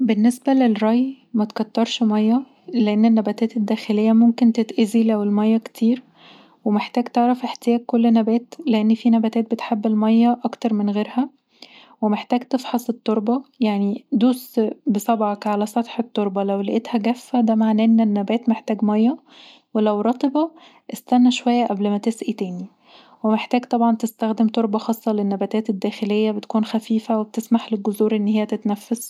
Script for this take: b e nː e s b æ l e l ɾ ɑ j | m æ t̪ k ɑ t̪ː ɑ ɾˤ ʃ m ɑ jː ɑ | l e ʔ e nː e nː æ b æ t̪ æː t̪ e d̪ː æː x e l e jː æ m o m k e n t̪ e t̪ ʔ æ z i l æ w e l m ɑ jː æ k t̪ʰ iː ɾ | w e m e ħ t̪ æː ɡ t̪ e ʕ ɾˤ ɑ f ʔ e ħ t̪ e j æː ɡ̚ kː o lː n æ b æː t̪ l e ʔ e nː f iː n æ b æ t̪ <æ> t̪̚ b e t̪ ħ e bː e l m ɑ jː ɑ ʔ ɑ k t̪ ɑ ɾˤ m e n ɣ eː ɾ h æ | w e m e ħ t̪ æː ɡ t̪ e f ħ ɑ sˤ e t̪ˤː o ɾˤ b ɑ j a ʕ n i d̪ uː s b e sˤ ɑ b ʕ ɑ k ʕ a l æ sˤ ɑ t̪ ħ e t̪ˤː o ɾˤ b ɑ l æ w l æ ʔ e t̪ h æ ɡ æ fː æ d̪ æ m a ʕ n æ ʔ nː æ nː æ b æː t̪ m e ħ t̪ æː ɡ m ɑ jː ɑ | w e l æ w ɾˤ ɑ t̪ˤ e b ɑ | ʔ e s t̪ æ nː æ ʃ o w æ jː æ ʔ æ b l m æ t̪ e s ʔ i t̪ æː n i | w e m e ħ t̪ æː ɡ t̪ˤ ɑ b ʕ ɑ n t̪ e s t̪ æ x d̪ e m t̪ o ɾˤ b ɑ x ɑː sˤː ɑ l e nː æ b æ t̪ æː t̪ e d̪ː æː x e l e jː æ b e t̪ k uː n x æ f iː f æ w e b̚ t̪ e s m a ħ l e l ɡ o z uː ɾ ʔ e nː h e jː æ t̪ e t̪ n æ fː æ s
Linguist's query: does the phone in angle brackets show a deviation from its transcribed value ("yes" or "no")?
yes